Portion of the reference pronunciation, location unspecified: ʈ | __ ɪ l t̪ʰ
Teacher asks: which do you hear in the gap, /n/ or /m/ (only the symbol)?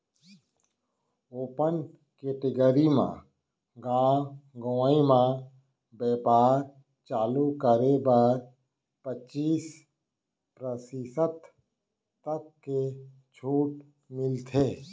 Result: m